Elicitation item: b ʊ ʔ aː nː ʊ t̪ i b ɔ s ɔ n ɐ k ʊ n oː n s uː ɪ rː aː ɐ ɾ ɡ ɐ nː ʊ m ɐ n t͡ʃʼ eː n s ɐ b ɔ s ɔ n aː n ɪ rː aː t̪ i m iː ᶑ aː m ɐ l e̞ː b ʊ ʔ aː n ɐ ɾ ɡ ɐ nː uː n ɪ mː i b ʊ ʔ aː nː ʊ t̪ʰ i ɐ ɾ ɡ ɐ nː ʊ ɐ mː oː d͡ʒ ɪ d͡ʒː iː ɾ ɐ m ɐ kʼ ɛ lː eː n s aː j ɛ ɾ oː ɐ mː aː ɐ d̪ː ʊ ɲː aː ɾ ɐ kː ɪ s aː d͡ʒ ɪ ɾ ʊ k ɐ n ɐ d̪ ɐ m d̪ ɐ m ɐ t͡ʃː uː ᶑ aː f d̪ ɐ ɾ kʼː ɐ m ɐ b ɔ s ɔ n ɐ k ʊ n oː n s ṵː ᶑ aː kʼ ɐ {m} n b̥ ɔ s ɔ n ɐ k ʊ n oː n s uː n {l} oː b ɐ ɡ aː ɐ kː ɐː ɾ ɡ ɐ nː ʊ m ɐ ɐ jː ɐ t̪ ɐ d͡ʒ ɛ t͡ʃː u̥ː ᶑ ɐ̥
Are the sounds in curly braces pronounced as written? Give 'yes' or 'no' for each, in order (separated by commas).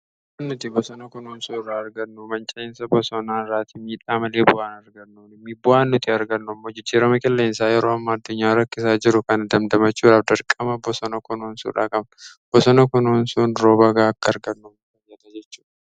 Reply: no, no